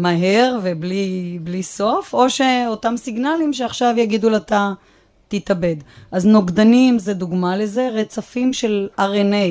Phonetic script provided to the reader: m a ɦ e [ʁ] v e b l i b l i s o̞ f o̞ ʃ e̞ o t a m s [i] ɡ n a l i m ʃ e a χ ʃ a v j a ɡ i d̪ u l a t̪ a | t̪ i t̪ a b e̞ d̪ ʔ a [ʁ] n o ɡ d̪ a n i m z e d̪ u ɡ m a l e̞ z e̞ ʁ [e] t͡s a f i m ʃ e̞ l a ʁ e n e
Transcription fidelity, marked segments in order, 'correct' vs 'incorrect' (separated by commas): correct, correct, incorrect, correct